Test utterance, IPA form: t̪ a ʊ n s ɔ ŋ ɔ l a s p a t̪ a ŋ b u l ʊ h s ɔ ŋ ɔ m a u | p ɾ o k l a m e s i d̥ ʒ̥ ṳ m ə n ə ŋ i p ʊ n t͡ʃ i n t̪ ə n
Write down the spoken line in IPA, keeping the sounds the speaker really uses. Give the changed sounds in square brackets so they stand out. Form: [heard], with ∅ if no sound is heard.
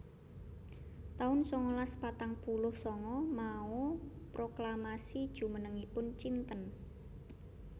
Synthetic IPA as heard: t̪ a ʊ n s ɔ ŋ ɔ l a s p a t̪ a ŋ [p] u l ʊ h s ɔ ŋ ɔ m a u | p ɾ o k l a m [a] s i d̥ ʒ̥ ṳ m ə n ə ŋ i p ʊ n t͡ʃ i n t̪ ə n